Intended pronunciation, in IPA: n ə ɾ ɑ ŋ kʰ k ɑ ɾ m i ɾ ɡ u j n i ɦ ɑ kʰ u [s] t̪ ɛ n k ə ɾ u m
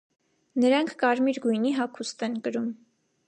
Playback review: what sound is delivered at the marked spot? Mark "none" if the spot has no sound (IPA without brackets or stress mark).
s